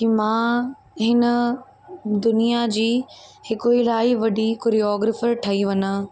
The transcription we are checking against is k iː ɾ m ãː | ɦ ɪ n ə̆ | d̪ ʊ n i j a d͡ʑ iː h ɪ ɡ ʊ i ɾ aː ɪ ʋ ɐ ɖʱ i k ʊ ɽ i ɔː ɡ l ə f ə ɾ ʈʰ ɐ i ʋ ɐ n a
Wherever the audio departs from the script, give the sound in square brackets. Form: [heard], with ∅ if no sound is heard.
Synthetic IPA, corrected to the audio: k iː [∅] m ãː | ɦ ɪ n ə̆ | d̪ ʊ n i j a d͡ʑ iː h ɪ [k] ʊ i [l] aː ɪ ʋ ɐ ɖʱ i k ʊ [ɾ] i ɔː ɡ [ɾ] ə f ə ɾ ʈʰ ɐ i ʋ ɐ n a